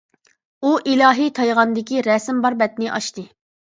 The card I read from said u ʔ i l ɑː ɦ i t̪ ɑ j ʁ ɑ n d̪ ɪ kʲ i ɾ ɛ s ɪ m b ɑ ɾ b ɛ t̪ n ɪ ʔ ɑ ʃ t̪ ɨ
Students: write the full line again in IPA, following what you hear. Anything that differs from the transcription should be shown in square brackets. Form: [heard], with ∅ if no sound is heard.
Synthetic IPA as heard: u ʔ i l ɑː ɦ i [t̪ʰ] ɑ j ʁ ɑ n d̪ ɪ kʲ i ɾ ɛ s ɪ m b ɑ ɾ b ɛ t̪ n ɪ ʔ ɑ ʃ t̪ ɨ